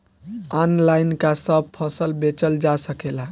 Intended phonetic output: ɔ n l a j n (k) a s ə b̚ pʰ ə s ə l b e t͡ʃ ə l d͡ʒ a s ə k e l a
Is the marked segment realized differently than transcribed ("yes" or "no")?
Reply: no